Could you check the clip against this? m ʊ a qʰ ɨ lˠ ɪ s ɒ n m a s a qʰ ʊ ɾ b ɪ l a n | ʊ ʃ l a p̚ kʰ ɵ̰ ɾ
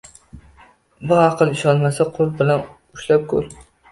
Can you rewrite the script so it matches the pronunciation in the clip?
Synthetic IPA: b ʊ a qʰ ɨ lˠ ɪ ʃ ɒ n m a s a qʰ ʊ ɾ b ɪ l a n | ʊ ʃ l a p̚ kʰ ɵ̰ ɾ

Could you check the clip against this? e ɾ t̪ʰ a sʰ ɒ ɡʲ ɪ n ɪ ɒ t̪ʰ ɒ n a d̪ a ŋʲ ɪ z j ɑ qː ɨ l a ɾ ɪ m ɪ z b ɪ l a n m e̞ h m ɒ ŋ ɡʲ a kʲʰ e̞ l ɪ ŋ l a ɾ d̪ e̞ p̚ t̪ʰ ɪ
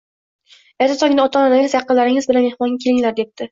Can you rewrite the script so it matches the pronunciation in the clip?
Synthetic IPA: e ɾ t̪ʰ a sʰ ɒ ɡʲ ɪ n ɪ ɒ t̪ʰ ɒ n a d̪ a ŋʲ ɪ z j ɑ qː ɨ l a ɾ ɪ ŋ ɪ z b ɪ l a n m e̞ h m ɒ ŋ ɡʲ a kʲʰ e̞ l ɪ ŋ l a ɾ d̪ e̞ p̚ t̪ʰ ɪ

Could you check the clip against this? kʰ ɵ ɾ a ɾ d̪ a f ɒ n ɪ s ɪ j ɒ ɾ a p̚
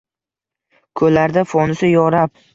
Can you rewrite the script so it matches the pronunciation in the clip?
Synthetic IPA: kʰ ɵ l a ɾ d̪ a f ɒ n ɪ s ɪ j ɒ ɾ a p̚

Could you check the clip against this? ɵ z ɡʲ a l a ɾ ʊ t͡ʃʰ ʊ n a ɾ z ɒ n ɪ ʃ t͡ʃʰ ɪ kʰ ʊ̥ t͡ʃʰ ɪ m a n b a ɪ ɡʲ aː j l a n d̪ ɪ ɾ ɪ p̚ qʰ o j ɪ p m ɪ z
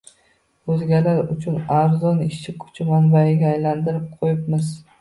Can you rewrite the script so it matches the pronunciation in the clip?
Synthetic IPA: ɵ z ɡʲ a l a ɾ ʊ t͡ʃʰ ʊ n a ɾ z ɒ n ɪ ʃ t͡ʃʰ ɪ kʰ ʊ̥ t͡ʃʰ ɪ m a n b a ɪ ɡʲ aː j l a n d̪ ɪ ɾ ɪ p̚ qʰ o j ɪ p m ɪ z

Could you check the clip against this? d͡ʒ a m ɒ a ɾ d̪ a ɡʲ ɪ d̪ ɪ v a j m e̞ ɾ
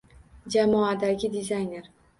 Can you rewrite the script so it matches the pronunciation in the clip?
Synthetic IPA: d͡ʒ a m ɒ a d̪ a ɡʲ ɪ d̪ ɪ z a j n e̞ ɾ

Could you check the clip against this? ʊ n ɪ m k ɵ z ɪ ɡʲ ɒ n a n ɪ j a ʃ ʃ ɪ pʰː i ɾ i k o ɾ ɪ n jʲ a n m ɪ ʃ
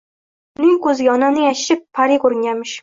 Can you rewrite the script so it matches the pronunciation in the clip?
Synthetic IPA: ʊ n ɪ ŋ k ɵ z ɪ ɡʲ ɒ n a n ɪ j a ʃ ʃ ɪ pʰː a ɾ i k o ɾ ɪ ŋ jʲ a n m ɪ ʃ

